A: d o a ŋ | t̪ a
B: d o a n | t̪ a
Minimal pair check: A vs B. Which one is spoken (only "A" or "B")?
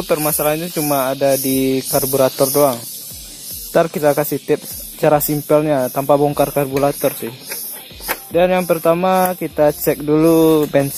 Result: A